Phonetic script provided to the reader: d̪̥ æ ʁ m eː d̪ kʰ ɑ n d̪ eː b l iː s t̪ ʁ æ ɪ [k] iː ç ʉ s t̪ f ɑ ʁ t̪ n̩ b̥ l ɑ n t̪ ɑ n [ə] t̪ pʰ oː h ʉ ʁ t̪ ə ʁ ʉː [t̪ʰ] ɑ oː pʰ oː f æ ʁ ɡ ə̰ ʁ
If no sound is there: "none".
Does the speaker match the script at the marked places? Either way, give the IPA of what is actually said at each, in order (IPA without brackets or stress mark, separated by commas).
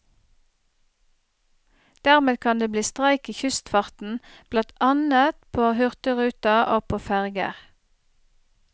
k, ə, t̪